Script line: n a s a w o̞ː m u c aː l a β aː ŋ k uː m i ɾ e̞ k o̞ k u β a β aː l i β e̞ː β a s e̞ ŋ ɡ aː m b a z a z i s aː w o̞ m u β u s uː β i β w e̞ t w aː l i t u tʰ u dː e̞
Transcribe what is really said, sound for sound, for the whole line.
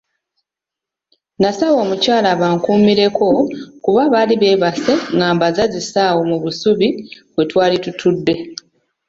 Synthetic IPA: n a s a w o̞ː m u c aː l a β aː ŋ k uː m i ɾ e̞ k o̞ k u β a β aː l i β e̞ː β a s e̞ ŋ ɡ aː m b a z a z i s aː w o̞ m u β u s u β i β w e̞ t w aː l i t u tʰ u dː e̞